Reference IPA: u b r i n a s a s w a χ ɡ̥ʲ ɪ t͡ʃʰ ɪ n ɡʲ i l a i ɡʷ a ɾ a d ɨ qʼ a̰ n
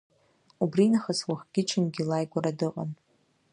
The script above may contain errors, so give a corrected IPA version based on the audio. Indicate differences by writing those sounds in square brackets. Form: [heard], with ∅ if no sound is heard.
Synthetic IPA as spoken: u b r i n a [χ] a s w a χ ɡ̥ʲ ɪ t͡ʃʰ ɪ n ɡʲ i l a [j] ɡʷ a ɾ a d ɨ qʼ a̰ n